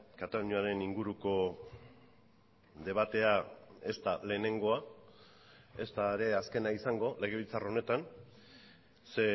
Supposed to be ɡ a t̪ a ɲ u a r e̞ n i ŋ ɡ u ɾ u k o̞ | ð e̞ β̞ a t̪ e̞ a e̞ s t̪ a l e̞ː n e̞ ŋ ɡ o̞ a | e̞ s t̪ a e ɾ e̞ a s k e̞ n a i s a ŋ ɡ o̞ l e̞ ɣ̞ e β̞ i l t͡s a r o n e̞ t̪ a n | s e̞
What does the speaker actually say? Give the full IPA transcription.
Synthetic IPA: k a t̪ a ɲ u a ɾ e̞ n i ŋ ɡ u ɾ u k o̞ | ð e̞ β̞ a t̪ e̞ a e̞ s t̪ a l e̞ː n e̞ ŋ ɡ o̞ a | e̞ s t̪ a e ɾ e̞ a s k e̞ n a i s a ŋ ɡ o̞ l e̞ ɣ̞ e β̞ i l t͡s a r o n e̞ t̪ a n | s e̞